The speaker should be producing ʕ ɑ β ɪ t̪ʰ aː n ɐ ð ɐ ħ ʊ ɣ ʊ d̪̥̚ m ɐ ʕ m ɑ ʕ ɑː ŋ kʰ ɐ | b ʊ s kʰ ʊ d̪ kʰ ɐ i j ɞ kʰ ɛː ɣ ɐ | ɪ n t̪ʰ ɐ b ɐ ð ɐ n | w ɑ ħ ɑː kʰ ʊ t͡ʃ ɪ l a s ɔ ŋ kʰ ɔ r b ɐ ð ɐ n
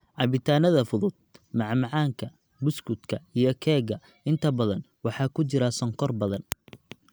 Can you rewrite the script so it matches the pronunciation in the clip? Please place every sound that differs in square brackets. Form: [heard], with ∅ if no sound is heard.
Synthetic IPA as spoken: ʕ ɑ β ɪ t̪ʰ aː n ɐ ð ɐ [f] ʊ [ð] ʊ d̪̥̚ m [ɑ] ʕ m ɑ ʕ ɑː ŋ kʰ ɐ | b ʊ s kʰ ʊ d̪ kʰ ɐ i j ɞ kʰ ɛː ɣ ɐ | ɪ n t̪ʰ ɐ b ɐ ð ɐ n | w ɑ ħ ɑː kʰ ʊ t͡ʃ ɪ [ɾ] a s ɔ ŋ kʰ ɔ r b ɐ ð ɐ n